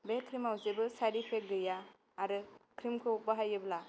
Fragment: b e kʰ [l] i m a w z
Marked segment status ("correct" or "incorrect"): incorrect